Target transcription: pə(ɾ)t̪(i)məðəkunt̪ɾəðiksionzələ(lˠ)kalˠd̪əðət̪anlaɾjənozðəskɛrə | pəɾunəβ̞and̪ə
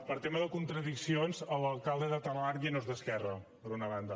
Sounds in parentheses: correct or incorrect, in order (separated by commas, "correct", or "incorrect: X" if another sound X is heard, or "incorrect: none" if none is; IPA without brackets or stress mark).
correct, incorrect: e, correct